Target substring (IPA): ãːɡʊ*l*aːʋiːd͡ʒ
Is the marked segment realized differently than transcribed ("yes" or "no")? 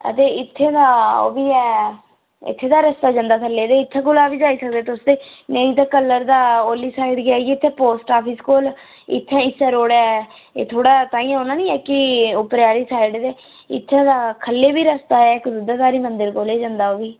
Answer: no